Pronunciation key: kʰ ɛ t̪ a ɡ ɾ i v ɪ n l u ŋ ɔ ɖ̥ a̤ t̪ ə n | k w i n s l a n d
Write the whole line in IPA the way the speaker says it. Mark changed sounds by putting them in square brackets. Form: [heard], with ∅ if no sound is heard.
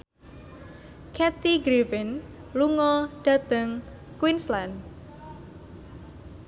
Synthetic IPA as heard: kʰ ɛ t̪ [i] ɡ ɾ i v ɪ n l u ŋ ɔ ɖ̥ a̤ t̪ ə [ŋ] | k w i n s l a n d